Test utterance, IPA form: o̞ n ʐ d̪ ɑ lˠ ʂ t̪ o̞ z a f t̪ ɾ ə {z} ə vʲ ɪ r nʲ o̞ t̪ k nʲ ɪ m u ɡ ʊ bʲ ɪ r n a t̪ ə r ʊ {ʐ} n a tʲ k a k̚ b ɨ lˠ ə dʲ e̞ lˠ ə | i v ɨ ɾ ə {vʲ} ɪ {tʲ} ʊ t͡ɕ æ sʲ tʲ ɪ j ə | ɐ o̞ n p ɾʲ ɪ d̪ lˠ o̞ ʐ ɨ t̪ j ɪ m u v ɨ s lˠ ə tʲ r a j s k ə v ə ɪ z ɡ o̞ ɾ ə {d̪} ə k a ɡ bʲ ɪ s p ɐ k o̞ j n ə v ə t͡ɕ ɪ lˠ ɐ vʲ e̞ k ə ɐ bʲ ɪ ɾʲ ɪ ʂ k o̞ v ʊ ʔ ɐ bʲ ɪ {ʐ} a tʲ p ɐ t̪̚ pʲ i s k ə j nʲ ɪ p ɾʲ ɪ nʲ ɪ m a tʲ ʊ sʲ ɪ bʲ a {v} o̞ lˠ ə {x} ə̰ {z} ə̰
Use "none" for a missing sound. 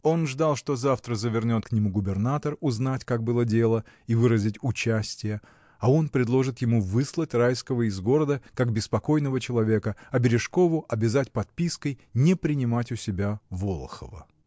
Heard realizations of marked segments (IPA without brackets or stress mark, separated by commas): z, z, zʲ, tʲ, d̪, z, v, x, v